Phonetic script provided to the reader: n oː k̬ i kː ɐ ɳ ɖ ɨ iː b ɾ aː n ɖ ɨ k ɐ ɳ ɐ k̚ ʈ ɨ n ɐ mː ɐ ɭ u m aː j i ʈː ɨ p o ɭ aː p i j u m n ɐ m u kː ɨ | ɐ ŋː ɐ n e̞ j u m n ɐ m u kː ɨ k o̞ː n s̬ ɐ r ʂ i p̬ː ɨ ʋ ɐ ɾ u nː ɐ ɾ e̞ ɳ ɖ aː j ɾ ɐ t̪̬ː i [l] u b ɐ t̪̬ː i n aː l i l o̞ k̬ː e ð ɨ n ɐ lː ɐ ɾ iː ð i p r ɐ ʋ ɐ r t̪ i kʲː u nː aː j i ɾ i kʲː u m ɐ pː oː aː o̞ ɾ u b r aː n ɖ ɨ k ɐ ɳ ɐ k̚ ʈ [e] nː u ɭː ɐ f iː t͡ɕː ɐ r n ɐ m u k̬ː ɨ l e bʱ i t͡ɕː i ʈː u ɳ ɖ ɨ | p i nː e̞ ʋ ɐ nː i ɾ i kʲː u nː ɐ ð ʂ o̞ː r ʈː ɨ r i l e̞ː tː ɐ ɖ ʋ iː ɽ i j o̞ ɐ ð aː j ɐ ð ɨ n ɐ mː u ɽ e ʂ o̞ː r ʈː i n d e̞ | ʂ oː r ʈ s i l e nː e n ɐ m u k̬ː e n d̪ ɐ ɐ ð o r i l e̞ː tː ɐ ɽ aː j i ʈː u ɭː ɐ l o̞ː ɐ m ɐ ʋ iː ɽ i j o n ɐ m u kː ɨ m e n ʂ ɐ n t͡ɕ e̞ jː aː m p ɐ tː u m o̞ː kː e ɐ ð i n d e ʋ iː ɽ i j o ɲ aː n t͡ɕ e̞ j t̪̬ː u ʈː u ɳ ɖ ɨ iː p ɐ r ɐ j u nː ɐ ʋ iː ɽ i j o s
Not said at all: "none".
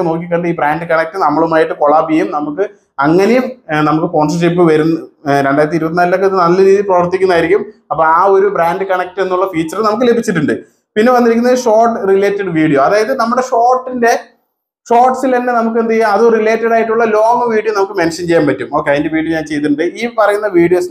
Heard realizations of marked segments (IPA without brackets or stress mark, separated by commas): ɾ, e